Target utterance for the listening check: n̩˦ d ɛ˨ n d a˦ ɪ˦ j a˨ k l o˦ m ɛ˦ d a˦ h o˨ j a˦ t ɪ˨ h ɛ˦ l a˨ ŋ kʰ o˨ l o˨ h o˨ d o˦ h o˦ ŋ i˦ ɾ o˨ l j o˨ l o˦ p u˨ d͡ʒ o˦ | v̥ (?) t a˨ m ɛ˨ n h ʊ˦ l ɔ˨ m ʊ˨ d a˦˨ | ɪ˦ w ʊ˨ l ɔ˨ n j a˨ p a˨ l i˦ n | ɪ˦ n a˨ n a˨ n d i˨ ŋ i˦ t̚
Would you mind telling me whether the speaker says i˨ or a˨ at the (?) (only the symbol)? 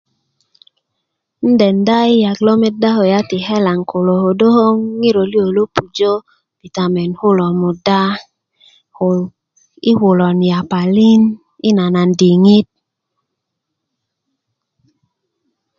i˨